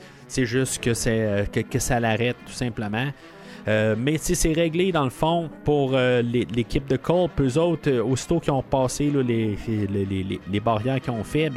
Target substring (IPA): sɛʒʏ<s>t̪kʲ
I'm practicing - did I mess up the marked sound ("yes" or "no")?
no